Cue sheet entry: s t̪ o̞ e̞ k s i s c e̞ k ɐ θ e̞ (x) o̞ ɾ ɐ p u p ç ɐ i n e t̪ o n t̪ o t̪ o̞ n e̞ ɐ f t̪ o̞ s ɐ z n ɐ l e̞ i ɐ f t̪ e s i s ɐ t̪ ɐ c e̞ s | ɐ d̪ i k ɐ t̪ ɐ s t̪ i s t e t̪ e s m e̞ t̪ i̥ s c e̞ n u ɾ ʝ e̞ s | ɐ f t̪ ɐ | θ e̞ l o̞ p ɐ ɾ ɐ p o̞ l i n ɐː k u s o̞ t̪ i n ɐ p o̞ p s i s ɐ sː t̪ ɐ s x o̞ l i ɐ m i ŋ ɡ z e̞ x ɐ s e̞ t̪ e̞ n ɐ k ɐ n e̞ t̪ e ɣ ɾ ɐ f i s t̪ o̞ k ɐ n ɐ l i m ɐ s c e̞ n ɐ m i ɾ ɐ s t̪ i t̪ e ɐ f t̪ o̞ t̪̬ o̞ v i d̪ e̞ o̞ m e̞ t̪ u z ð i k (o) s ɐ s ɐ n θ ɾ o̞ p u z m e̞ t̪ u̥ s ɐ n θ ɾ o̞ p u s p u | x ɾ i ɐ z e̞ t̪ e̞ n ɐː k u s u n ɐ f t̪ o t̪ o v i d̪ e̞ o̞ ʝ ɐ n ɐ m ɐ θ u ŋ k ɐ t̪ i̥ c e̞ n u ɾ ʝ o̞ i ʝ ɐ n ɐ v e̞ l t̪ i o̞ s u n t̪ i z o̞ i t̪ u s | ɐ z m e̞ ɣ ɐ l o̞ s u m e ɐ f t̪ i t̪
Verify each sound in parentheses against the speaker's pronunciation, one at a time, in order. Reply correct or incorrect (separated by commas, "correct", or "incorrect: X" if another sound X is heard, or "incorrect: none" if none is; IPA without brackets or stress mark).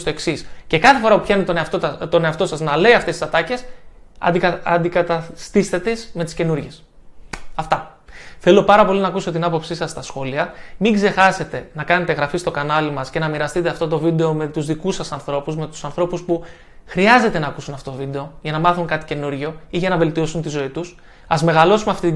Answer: incorrect: f, incorrect: u